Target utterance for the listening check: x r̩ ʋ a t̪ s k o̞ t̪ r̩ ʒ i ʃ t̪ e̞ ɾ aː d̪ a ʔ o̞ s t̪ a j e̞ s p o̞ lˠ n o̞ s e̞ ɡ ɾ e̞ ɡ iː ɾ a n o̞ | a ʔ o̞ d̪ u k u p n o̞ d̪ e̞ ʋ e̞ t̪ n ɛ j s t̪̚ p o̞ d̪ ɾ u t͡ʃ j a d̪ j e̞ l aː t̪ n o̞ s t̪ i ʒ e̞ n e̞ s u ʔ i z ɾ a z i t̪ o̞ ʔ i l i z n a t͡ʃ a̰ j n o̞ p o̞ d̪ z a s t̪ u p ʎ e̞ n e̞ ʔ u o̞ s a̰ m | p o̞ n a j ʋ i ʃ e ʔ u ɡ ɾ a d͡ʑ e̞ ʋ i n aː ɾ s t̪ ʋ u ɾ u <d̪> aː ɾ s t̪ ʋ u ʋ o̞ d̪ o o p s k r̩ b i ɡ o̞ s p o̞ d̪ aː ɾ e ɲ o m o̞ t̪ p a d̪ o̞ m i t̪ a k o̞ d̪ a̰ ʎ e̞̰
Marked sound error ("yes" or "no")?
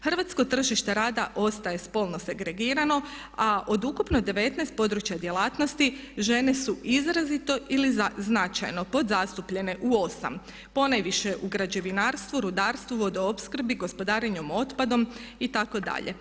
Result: no